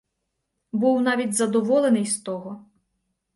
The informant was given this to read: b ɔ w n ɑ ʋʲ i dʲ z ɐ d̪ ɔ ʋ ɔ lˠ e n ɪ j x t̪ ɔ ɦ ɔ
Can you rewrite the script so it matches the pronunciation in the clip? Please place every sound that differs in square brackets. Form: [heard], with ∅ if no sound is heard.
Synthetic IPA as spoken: b [u] w n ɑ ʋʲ i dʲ z ɐ d̪ ɔ ʋ ɔ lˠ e n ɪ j [s] t̪ ɔ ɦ ɔ